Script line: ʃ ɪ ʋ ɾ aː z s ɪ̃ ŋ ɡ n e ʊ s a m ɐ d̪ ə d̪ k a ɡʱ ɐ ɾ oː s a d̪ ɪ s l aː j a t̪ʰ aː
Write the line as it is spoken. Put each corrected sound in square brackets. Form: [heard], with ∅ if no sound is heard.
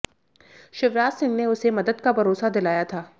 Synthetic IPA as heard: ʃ ɪ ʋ ɾ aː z s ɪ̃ ŋ ɡ n e ʊ s [e] m ɐ d̪ ə d̪ k a [bʱ] ɐ ɾ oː s a d̪ ɪ [∅] l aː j a t̪ʰ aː